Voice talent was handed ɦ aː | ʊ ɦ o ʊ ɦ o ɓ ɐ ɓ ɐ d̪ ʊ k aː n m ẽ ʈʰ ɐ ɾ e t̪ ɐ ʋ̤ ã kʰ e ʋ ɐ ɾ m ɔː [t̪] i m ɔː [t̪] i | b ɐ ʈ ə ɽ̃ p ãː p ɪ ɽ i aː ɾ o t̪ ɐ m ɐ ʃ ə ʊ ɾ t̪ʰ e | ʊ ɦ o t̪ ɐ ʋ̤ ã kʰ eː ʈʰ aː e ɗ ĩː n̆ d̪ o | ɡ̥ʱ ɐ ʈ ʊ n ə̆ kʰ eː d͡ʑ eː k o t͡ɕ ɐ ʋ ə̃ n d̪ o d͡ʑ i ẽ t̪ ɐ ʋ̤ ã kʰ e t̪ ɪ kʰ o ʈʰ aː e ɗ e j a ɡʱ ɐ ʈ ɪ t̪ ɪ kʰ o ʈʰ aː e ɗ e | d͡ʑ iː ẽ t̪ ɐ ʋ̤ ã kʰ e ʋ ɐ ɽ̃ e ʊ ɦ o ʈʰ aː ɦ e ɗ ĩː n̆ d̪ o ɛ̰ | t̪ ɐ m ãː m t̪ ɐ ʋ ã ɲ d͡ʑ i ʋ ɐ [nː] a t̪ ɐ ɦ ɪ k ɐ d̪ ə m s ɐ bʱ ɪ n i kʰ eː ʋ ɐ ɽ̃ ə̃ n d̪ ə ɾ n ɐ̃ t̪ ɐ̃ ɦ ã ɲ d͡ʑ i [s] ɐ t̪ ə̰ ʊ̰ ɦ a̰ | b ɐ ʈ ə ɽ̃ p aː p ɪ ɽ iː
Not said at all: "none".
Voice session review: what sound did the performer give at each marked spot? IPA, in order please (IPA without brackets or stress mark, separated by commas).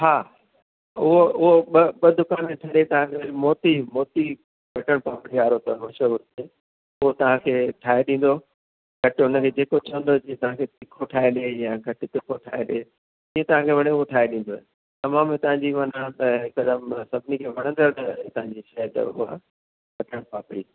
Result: t̪, t̪, n, ʃ